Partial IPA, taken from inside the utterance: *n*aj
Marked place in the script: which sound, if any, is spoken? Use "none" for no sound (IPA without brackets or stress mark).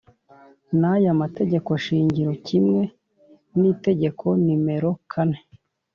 n